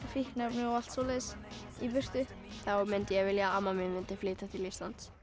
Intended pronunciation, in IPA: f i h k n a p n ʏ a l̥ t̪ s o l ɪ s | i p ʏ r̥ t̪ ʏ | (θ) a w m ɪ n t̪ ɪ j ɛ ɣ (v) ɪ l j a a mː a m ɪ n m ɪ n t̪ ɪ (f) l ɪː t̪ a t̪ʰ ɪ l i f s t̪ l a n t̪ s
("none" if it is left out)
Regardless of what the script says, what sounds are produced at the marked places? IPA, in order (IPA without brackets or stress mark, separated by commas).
θ, v, f